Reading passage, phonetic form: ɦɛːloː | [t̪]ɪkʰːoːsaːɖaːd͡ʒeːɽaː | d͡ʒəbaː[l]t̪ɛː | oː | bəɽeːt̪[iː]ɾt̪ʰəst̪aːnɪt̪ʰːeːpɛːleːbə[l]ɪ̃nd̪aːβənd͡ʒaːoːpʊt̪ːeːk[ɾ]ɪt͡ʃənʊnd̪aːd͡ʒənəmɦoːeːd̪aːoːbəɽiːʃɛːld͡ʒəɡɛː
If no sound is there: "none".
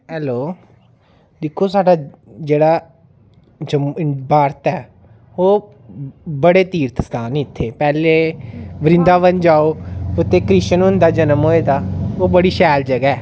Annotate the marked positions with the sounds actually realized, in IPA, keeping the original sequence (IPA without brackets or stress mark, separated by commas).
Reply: d̪, ɾ, iː, ɾ, ɾ